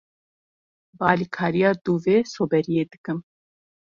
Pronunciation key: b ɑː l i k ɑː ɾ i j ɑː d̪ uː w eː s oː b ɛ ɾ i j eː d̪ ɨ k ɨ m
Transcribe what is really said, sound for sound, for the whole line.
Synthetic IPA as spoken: b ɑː l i kʰ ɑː ɾ i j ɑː d̪ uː v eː s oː b ɛ ɾ i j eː d̪ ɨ k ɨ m